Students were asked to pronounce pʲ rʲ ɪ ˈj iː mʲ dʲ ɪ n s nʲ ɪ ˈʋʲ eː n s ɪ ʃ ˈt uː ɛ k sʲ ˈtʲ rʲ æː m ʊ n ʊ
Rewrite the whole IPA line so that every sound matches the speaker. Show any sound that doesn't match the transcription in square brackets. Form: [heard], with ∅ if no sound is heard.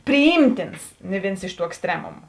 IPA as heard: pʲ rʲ ɪ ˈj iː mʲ [tʲ] ɪ n s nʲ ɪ ˈʋʲ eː n s ɪ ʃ ˈt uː ɛ k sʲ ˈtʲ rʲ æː m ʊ [m] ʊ